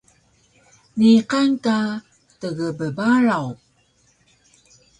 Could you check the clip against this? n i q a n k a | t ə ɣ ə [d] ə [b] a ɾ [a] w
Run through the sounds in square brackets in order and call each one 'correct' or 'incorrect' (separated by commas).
incorrect, correct, correct